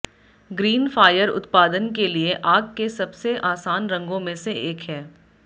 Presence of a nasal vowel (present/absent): present